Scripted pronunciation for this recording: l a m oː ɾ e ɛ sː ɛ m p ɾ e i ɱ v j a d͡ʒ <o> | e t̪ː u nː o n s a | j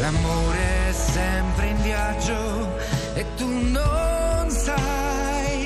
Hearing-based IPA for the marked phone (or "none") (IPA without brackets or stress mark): o